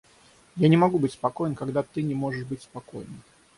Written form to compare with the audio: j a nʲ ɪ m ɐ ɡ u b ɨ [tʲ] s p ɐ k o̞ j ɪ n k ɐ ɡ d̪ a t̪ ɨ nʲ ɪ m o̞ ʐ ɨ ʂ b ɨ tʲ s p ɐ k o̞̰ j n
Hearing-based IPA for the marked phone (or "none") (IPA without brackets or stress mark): tʲ